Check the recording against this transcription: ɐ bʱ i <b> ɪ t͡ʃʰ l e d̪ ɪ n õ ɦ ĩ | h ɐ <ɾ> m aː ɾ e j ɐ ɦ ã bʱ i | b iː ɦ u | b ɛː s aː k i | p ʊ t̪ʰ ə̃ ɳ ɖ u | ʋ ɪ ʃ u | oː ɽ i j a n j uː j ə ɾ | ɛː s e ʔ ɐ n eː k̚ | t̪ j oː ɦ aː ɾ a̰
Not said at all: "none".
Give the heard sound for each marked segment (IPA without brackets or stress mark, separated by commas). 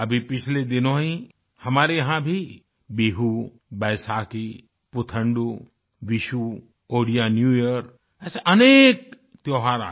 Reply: p, none